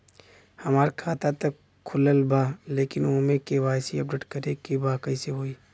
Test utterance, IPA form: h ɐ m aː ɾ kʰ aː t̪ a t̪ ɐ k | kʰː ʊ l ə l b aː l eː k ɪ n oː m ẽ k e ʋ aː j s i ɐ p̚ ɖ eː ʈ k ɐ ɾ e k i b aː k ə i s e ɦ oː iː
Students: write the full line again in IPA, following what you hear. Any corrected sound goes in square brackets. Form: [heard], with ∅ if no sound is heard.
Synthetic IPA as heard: h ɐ m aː ɾ kʰ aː t̪ a t̪ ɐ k | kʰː ʊ l ə l b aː l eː k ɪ n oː m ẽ k e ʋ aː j s i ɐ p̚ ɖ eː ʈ k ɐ ɾ e k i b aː k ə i s e ɦ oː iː